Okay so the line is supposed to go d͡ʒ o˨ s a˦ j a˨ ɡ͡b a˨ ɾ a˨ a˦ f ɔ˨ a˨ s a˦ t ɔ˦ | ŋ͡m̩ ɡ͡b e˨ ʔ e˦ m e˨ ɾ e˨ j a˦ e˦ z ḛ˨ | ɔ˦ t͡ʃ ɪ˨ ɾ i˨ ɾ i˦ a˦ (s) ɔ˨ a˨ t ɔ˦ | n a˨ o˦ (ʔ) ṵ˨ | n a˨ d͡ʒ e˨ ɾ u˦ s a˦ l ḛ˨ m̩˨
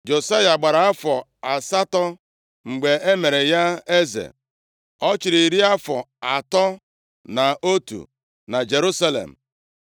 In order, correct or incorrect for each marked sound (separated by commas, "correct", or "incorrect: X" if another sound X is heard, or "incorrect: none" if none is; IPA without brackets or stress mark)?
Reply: incorrect: f, incorrect: t